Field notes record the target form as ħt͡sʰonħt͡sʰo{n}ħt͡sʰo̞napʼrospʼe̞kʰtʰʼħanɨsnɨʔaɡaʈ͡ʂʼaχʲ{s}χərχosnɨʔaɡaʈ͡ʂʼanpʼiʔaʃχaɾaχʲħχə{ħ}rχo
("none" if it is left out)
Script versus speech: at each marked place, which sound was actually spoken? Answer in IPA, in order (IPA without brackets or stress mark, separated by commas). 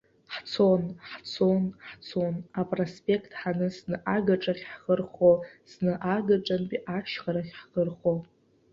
n, ħ, none